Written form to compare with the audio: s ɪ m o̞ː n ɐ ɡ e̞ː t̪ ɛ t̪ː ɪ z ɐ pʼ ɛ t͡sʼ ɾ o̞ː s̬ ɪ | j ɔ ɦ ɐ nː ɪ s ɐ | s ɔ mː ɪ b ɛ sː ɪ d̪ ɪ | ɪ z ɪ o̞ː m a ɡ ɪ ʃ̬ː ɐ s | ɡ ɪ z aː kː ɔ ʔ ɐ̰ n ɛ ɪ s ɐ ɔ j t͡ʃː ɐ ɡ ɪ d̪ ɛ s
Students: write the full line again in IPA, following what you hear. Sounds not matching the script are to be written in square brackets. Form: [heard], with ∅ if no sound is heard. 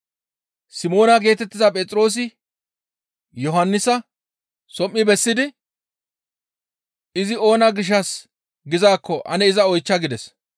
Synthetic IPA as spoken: s ɪ m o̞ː n ɐ ɡ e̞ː t̪ ɛ t̪ː ɪ z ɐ pʼ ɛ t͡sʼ ɾ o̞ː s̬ ɪ | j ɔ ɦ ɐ nː ɪ s ɐ | s ɔ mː ɪ b ɛ sː ɪ d̪ ɪ | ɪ z ɪ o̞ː [n] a ɡ ɪ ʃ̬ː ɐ s | ɡ ɪ z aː kː ɔ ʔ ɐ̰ n ɛ ɪ [z] ɐ ɔ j t͡ʃː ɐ ɡ ɪ d̪ ɛ s